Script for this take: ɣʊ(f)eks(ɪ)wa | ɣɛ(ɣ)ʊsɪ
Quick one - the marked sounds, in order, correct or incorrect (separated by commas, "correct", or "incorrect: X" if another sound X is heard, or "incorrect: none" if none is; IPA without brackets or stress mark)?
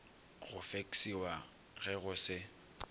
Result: correct, incorrect: i, correct